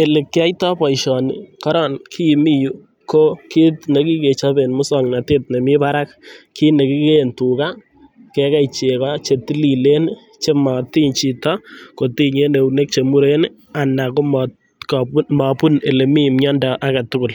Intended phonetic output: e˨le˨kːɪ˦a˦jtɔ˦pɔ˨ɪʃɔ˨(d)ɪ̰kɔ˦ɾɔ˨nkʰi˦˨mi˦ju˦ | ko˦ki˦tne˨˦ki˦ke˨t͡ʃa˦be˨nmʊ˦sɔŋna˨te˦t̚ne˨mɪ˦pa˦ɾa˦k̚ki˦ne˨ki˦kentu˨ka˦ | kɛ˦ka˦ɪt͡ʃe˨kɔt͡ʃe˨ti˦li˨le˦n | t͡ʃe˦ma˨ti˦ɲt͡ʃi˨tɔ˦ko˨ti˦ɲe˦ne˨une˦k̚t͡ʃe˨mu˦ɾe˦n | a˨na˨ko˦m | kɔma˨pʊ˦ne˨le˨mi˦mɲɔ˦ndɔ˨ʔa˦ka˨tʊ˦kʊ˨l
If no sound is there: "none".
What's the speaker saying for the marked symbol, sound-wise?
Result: n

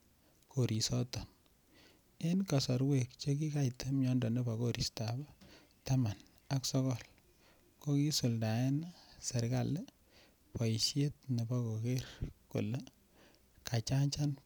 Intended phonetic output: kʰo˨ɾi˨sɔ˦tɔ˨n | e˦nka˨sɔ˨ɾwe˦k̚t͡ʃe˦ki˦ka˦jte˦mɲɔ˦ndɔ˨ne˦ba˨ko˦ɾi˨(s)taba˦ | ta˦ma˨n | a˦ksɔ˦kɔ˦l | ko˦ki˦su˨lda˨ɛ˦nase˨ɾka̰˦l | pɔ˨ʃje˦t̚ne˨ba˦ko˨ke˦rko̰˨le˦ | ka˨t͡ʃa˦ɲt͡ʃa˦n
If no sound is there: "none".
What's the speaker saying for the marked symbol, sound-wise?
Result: s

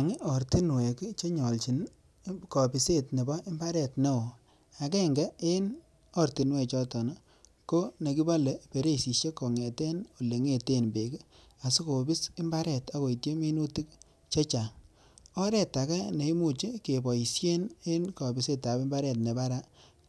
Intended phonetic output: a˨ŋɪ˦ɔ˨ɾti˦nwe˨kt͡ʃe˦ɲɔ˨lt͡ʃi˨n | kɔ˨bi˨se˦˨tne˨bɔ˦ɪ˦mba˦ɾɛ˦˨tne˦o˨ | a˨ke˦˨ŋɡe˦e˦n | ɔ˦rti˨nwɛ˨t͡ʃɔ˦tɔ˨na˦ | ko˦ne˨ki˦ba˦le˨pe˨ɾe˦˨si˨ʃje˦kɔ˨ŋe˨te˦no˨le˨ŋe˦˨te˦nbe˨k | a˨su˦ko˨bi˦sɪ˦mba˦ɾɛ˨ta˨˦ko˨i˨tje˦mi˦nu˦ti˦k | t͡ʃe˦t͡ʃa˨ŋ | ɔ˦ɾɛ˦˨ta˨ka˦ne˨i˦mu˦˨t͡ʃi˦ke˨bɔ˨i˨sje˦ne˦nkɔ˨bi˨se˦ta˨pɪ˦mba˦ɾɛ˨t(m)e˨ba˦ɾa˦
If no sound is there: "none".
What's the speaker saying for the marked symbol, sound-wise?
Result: n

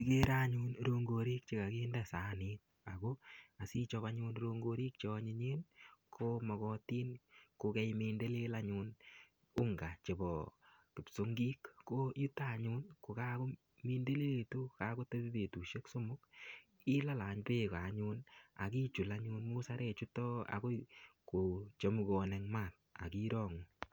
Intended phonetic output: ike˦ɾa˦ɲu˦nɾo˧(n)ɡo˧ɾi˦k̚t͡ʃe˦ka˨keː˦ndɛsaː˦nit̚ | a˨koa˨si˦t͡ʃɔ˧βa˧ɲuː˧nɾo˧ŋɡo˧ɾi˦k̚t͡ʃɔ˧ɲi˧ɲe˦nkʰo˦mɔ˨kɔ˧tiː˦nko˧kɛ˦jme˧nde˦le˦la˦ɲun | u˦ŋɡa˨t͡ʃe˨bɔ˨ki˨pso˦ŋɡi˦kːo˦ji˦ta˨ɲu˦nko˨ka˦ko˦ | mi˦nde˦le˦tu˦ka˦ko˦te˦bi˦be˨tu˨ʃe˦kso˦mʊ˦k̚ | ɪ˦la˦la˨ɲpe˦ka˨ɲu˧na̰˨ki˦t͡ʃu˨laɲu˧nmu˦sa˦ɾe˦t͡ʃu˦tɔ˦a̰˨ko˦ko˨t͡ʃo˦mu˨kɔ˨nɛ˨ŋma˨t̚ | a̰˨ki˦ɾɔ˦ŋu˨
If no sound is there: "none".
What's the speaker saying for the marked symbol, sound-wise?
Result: ŋ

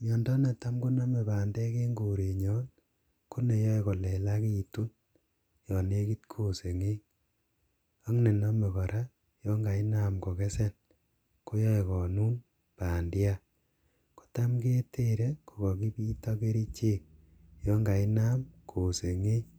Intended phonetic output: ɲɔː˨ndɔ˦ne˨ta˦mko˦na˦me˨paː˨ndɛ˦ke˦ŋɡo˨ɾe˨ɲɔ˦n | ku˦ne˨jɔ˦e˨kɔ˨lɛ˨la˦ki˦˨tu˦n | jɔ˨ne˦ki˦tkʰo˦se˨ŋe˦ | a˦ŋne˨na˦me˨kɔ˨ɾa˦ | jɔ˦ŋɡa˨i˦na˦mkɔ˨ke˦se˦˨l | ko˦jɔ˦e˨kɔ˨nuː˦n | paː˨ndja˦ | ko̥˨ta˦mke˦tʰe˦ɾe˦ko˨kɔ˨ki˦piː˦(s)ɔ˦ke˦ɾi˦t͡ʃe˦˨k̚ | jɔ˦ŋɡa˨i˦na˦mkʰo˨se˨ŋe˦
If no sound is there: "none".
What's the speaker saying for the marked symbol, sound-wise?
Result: t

